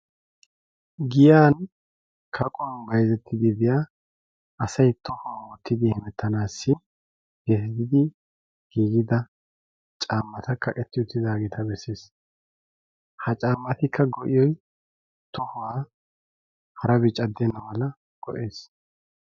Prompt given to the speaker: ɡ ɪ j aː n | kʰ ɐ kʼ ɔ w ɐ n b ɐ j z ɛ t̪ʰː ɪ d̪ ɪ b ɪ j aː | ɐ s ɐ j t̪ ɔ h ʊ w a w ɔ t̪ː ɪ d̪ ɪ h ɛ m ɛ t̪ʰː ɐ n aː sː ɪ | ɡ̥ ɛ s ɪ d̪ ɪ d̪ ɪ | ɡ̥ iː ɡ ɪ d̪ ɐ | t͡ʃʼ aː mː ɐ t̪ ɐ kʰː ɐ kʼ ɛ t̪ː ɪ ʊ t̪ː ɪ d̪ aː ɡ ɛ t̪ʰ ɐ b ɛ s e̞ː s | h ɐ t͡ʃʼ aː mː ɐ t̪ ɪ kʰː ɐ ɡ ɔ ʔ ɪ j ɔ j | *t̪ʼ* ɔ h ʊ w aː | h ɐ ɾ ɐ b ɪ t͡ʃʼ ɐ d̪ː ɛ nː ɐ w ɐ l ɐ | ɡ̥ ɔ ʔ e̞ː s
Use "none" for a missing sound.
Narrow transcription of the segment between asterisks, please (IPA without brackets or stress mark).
t̪